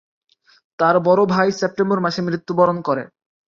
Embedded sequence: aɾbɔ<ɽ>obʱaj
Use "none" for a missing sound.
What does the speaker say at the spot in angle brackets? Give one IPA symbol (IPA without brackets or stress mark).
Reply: ɾ